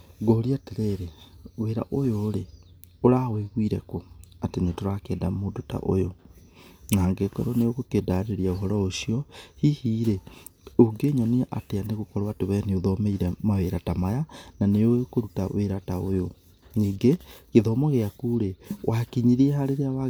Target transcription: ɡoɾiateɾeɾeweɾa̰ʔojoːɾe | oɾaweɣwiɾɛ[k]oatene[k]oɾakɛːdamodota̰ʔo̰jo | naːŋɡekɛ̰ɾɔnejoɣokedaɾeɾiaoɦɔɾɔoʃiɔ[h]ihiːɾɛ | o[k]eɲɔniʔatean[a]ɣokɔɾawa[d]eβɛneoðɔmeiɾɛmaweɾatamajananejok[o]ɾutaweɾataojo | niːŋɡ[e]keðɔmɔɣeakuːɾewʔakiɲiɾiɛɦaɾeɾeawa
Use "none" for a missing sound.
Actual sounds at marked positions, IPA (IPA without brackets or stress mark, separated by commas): k, t, h, ɡ, e, t, o, e